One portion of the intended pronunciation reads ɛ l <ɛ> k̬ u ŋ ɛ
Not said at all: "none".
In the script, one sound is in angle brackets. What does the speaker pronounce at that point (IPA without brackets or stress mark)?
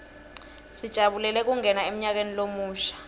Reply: ɛ